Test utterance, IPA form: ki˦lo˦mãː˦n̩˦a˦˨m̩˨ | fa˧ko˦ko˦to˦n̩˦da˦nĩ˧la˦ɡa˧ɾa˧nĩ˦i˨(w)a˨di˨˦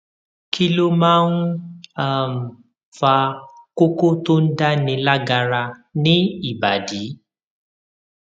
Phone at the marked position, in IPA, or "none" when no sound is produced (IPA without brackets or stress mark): b